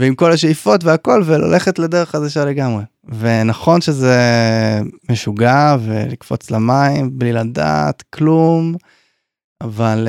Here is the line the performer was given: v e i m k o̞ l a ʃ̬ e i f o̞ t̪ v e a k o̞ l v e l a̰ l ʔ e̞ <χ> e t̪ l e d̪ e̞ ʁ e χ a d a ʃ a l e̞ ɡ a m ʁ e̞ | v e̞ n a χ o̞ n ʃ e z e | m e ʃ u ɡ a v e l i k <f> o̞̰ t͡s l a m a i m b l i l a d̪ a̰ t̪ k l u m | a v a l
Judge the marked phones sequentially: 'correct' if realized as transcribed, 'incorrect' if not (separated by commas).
correct, correct